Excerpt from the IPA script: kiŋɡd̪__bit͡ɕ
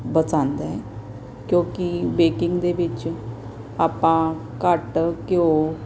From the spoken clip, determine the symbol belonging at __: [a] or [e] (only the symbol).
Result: e